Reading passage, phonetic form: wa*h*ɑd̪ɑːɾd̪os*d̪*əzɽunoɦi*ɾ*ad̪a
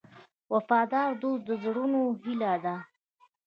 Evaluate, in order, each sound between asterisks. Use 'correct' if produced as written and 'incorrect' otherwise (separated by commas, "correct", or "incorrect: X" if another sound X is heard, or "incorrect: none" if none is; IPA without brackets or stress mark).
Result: incorrect: f, correct, incorrect: l